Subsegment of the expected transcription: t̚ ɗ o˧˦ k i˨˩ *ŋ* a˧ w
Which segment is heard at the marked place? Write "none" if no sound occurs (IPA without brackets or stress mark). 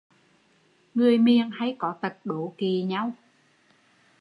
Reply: ɲ